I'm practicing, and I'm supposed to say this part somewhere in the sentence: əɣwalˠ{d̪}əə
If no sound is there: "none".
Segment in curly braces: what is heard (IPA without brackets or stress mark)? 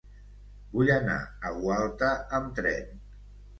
t̪